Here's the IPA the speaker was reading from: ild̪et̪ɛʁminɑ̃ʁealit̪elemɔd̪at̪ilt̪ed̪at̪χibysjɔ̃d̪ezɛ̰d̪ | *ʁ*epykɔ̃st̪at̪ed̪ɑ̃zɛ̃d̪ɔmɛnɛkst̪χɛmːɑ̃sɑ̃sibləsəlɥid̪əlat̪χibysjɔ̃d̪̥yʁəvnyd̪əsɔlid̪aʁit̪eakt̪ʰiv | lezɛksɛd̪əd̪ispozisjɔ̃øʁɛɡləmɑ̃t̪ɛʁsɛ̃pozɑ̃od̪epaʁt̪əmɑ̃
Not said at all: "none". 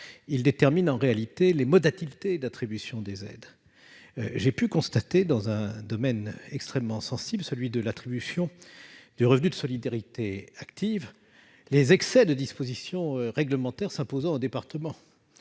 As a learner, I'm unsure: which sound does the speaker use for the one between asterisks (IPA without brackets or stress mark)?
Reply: ʒ